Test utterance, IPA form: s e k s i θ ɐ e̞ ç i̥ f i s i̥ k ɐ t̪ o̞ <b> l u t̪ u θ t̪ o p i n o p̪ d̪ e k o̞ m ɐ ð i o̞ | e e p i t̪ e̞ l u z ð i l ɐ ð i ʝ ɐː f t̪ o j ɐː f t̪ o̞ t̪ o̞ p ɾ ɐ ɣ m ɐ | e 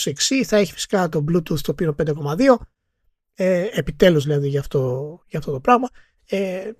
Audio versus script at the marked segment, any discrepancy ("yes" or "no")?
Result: no